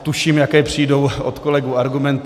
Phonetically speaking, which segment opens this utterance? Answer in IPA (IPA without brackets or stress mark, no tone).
t̪